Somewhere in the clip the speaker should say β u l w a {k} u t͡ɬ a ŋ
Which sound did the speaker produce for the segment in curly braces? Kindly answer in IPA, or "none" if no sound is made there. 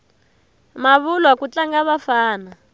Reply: k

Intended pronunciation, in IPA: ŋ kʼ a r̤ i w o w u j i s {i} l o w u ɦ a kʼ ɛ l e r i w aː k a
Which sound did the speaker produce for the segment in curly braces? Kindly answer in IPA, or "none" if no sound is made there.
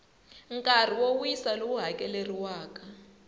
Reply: a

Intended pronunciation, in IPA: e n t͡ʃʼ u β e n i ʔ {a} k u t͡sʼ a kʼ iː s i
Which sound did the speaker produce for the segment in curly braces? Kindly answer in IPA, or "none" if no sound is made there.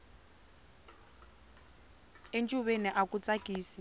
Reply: a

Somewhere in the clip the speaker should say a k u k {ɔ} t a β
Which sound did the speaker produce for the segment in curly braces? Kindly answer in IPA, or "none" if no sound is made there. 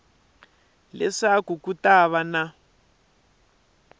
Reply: u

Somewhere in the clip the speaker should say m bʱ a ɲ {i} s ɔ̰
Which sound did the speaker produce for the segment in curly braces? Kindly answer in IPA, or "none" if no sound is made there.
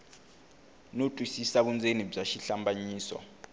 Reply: iː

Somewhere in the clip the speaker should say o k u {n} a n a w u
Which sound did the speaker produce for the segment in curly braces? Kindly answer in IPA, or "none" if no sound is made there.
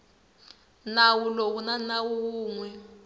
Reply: n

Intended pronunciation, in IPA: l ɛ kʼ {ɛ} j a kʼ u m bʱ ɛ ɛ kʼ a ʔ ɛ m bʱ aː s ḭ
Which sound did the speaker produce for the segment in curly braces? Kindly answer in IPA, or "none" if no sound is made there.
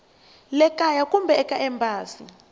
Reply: a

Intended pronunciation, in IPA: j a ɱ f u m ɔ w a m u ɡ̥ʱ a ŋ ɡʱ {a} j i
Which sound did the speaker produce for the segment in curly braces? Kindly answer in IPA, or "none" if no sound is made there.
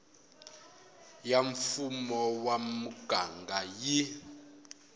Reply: a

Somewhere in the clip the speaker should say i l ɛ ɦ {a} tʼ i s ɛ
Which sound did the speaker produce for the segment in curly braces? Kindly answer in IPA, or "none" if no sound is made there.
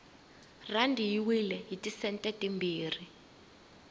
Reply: i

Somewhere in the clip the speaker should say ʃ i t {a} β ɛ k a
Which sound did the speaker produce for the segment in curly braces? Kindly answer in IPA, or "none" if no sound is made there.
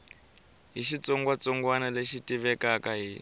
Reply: i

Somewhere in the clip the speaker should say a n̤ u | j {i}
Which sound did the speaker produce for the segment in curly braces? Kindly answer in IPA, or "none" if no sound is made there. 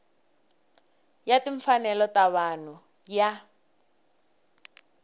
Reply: a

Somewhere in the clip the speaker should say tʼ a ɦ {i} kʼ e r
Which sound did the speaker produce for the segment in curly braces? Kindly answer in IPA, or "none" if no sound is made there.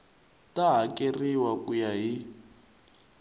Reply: a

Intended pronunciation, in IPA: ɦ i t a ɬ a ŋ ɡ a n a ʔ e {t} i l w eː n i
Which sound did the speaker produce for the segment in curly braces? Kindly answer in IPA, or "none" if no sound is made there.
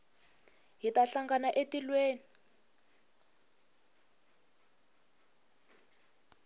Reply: t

